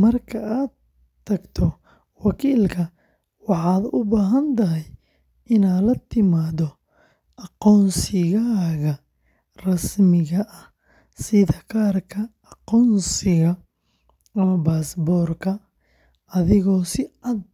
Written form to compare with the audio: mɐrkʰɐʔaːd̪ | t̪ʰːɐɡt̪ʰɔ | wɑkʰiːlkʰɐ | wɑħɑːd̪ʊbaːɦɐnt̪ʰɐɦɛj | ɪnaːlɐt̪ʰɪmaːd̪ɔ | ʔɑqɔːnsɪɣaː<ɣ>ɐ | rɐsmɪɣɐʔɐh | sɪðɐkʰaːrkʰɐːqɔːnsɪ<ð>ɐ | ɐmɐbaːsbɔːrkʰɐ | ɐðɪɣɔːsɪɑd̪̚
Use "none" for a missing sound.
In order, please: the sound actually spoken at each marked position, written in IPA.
ɣ, ɣ

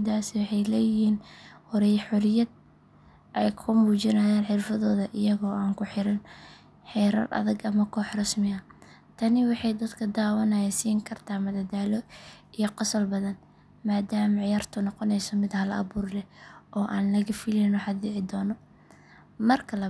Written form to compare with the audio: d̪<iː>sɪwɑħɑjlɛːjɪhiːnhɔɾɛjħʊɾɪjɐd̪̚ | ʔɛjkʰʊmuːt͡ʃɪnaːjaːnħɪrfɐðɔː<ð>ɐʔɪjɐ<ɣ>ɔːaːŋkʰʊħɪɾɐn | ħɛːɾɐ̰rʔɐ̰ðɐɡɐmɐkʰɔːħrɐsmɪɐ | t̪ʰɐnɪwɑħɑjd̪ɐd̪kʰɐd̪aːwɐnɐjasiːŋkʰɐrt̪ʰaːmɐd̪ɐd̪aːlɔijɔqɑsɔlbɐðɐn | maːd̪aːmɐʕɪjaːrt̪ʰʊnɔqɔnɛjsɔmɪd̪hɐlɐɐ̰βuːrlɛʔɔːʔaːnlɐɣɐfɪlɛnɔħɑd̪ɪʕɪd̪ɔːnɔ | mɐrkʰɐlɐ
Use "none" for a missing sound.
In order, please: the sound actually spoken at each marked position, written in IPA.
aː, ð, ɣ

